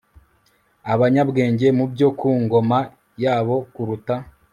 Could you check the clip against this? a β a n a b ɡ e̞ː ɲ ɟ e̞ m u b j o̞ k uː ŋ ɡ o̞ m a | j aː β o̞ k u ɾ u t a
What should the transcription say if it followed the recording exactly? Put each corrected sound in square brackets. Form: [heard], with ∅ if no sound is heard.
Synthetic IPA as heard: a β a [ɲ] a b ɡ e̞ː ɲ ɟ e̞ m u b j o̞ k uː ŋ ɡ o̞ m a | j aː β o̞ k u ɾ u t a